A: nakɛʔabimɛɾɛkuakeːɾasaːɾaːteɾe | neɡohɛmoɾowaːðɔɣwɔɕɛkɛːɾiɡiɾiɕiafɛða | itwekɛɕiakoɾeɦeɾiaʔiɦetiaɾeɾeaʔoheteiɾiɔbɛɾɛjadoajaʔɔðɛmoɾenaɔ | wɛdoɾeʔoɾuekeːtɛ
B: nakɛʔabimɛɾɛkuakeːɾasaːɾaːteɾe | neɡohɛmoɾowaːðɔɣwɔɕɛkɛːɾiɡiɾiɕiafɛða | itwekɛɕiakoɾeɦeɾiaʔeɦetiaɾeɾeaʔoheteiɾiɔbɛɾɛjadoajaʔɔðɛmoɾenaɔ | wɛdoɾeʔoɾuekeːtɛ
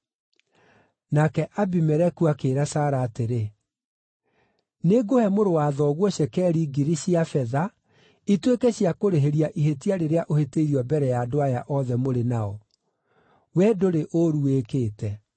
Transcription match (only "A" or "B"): A